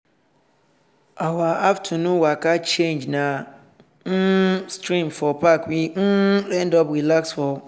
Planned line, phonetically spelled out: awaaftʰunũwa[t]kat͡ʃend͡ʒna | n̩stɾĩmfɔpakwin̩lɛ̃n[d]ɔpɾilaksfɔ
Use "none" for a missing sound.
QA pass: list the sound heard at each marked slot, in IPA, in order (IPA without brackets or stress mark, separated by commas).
none, d